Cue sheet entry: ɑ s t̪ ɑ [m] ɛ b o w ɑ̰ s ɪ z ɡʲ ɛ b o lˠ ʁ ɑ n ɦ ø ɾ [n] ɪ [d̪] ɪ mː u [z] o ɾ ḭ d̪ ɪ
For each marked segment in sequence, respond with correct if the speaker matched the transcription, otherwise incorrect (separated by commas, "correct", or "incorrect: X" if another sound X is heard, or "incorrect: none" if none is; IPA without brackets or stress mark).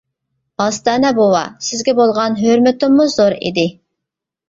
incorrect: n, incorrect: m, incorrect: t̪, correct